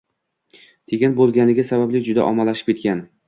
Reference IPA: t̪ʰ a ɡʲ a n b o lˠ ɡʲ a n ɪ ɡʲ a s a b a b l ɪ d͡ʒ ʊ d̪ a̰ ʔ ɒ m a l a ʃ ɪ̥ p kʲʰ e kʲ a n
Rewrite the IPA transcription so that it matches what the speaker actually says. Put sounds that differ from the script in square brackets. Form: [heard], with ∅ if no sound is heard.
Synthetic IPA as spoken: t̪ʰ [e] ɡʲ a n b o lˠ ɡʲ a n ɪ ɡʲ a s a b a b l ɪ d͡ʒ ʊ d̪ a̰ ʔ ɒ m a l a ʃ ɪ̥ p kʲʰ e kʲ a n